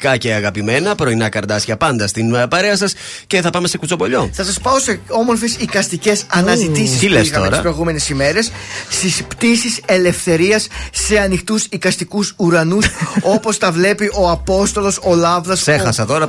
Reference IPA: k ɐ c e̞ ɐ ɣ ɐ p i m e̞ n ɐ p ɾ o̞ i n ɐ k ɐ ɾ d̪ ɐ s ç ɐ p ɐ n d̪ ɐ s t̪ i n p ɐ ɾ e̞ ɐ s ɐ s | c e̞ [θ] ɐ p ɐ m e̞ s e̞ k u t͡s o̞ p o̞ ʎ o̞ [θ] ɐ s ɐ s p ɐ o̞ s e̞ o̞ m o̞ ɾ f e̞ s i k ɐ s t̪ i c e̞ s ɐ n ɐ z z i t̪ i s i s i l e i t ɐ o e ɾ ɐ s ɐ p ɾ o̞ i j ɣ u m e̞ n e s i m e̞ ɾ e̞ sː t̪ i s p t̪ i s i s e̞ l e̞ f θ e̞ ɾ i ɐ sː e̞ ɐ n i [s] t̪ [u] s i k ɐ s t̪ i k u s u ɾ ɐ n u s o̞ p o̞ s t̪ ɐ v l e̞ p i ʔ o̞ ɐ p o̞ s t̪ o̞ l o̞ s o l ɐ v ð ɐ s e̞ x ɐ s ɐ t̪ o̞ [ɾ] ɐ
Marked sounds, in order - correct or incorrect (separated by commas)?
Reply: correct, correct, incorrect, correct, correct